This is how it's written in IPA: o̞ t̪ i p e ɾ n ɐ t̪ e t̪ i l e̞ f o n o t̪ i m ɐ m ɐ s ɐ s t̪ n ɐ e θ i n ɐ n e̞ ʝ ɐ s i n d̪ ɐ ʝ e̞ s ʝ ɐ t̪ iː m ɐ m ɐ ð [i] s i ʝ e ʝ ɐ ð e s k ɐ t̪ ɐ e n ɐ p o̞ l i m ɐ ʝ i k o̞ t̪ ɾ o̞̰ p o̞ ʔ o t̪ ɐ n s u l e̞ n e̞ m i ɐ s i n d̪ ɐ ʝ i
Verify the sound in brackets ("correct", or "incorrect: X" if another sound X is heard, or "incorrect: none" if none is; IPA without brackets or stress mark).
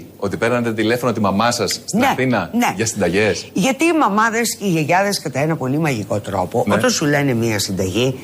incorrect: e